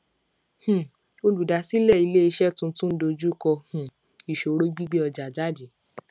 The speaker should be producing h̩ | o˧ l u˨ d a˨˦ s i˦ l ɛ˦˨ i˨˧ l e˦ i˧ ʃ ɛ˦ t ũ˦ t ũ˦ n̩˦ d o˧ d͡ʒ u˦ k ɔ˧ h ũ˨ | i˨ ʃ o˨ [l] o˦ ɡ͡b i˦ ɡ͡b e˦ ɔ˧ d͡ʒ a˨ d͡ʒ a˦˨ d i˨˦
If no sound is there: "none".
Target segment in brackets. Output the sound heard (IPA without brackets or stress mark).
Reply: ɾ